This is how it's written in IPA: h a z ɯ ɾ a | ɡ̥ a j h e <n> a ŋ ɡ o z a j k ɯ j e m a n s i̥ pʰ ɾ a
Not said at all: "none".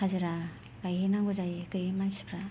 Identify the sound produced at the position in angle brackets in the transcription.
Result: n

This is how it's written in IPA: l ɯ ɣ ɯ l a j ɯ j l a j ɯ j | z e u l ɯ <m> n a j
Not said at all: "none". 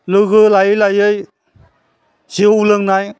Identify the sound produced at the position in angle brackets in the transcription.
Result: ŋ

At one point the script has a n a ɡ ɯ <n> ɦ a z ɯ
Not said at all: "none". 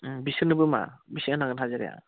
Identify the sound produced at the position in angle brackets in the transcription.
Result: n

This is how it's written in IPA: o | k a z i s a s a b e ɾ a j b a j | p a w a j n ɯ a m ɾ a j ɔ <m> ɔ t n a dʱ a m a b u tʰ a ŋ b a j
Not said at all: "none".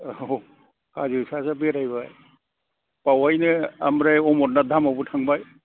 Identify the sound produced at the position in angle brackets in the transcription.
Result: m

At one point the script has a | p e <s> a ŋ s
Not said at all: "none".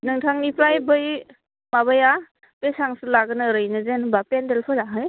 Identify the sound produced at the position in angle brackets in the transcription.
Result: s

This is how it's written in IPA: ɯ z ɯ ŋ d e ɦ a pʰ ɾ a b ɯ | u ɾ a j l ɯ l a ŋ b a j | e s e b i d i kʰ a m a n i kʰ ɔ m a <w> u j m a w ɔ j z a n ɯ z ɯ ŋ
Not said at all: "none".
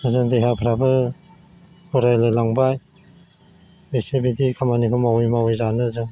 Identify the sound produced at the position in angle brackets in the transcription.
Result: w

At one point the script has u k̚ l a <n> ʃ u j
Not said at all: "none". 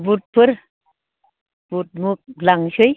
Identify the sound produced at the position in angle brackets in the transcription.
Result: ŋ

